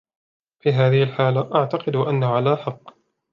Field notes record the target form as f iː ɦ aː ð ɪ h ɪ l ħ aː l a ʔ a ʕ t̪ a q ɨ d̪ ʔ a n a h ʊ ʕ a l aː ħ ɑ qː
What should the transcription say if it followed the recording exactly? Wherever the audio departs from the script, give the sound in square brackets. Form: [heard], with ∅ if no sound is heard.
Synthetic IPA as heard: f iː ɦ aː ð ɪ h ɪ l ħ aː l a ʔ a ʕ t̪ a q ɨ d̪ ʔ a [nː] a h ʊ ʕ a l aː ħ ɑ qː